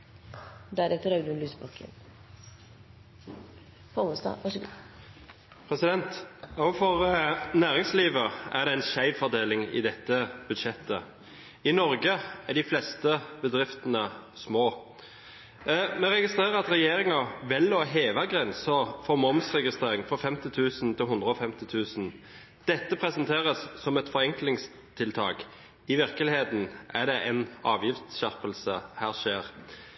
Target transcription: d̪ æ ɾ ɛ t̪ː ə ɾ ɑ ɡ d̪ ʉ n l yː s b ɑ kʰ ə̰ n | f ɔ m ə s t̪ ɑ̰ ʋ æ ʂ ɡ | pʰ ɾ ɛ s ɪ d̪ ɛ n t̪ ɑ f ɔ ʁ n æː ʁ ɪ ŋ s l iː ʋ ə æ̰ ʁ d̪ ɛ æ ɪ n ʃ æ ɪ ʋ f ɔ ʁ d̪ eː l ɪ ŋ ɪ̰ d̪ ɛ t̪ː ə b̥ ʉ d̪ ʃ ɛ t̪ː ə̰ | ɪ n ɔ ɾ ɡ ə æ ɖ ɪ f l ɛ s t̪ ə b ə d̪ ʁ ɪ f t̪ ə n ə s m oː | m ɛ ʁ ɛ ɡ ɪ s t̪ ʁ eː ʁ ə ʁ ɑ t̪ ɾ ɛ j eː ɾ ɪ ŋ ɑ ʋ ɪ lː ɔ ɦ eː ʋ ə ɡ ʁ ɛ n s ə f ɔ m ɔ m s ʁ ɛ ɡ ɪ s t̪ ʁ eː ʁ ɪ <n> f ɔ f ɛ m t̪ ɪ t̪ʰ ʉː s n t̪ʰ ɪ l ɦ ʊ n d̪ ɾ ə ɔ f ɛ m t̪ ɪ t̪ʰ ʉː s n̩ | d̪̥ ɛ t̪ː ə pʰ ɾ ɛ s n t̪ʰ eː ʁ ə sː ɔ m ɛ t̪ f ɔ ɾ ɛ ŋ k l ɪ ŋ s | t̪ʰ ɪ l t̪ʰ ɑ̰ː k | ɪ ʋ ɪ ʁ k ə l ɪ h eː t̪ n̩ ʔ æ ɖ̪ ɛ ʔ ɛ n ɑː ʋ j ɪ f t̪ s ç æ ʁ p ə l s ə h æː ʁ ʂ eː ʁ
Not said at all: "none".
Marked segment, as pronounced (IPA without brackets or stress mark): ŋ